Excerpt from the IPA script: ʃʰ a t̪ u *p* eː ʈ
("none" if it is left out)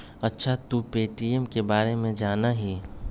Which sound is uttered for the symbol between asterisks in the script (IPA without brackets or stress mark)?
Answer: p